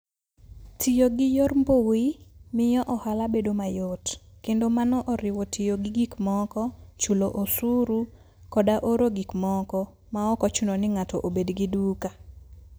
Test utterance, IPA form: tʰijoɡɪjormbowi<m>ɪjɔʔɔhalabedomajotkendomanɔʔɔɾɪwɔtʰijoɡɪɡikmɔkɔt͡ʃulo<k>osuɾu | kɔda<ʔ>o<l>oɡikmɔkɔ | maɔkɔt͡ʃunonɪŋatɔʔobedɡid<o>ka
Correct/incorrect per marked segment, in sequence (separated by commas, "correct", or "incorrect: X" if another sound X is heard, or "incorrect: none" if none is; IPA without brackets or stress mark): correct, incorrect: ʔ, correct, incorrect: ɾ, incorrect: u